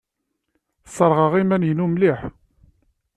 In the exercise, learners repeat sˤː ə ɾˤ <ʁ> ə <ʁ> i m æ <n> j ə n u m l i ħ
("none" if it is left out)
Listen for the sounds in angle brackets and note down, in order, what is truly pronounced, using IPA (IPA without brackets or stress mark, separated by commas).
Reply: ʁ, ʁ, n